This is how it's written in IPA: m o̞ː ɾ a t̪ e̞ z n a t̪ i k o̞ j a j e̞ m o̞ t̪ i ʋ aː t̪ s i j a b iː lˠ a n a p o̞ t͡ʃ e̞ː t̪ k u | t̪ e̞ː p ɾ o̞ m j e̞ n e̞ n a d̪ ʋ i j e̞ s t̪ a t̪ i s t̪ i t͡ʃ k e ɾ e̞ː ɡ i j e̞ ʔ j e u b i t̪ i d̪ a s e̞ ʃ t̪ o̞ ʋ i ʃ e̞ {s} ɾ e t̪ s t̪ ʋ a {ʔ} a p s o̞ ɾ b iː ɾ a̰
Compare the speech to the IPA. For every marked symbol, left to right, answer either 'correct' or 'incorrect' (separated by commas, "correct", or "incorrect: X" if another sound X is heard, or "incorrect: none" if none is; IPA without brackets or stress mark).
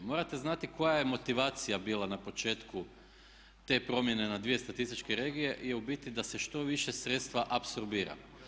correct, correct